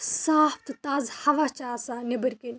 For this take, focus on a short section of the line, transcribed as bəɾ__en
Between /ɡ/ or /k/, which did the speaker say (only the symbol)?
k